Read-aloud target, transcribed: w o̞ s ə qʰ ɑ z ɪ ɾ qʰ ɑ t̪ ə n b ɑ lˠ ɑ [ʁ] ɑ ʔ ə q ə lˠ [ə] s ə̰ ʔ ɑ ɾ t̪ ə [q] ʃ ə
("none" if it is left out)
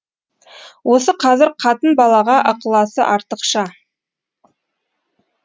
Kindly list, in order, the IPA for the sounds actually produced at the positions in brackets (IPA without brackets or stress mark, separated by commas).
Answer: ʁ, ɑ, q